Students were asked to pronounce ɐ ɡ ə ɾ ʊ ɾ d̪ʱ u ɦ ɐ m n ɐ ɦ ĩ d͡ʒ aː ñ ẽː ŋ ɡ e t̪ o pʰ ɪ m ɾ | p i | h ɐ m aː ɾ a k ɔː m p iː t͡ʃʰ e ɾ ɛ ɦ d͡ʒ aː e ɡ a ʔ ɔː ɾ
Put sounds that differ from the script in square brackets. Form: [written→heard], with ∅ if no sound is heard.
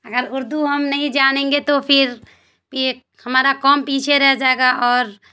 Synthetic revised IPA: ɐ ɡ ə ɾ ʊ ɾ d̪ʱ u ɦ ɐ m n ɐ ɦ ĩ d͡ʒ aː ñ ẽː ŋ ɡ e t̪ o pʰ ɪ [m→∅] ɾ | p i | h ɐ m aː ɾ a k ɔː m p iː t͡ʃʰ e ɾ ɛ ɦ d͡ʒ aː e ɡ a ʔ ɔː ɾ